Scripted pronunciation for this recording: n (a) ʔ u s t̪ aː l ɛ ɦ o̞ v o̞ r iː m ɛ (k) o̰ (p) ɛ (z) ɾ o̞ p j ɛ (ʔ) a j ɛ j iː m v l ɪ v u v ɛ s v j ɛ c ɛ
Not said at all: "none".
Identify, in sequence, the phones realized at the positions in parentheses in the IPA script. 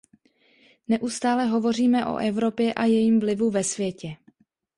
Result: ɛ, ʔ, ʔ, v, ʔ

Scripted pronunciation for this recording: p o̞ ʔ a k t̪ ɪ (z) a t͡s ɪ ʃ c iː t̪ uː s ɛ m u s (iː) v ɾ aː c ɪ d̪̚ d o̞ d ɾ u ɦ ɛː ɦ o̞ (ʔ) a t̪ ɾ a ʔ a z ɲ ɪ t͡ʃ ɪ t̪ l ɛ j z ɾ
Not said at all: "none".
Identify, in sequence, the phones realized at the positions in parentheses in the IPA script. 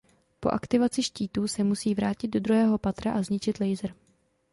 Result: v, iː, p

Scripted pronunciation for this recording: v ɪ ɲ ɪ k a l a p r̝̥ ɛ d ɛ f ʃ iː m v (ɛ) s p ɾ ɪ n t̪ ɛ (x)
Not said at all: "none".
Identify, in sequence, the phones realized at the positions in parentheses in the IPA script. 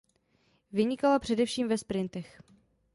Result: ɛ, x

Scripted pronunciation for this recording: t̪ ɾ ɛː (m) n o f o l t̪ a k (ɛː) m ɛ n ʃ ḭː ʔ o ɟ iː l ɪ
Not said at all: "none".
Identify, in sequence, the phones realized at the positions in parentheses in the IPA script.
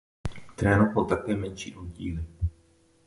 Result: none, ɛː

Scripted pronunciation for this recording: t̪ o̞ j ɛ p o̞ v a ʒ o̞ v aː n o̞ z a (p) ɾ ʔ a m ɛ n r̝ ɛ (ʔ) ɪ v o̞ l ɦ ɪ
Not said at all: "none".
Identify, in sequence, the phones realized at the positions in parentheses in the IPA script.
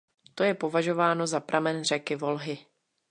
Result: p, k

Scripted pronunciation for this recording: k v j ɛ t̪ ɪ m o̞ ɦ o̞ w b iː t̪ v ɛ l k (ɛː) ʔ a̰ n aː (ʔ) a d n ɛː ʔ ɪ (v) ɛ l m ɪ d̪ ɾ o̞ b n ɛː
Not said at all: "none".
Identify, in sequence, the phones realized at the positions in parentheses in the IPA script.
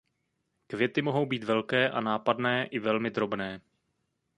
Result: ɛː, p, v

